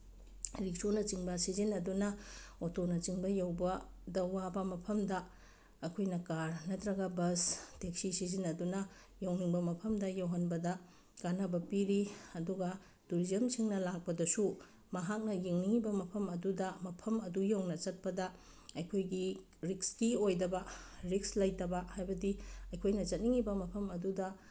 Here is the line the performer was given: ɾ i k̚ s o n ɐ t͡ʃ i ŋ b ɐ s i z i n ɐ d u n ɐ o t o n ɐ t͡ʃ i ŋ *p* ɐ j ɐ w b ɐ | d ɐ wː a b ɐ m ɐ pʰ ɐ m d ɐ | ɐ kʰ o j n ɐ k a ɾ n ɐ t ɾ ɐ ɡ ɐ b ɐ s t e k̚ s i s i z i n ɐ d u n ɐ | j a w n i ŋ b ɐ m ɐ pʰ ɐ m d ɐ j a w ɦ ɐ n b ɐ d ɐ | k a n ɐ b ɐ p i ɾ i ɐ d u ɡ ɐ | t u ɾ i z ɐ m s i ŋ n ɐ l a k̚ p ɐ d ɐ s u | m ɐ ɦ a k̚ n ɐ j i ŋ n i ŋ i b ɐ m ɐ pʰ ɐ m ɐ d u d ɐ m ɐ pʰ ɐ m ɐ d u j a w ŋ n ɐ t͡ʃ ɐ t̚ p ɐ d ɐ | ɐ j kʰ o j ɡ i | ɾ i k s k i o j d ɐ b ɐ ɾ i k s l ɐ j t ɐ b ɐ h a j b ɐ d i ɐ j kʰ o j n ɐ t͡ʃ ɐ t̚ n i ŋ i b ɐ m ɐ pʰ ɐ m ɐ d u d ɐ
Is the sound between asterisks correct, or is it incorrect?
incorrect